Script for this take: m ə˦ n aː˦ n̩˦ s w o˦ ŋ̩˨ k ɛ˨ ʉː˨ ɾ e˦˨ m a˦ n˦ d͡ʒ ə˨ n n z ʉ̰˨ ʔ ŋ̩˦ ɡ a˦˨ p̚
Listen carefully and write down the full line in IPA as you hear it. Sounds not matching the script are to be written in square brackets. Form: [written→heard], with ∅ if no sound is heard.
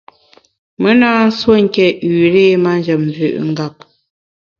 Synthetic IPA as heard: m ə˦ n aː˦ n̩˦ s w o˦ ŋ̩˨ k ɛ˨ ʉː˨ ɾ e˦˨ m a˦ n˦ d͡ʒ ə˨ [n→m] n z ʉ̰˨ ʔ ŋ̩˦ ɡ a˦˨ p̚